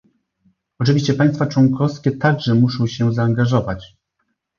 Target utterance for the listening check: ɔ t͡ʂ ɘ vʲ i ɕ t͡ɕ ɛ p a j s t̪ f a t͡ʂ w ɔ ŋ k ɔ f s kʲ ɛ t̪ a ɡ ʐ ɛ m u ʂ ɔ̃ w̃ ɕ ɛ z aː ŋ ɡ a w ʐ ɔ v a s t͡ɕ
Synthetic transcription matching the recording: ɔ t͡ʂ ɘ vʲ i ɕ t͡ɕ ɛ p a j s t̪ f a t͡ʂ w ɔ ŋ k ɔ f s kʲ ɛ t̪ a ɡ ʐ ɛ m u ʂ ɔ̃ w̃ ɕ ɛ z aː ŋ ɡ a ʐ ɔ v a t͡ɕ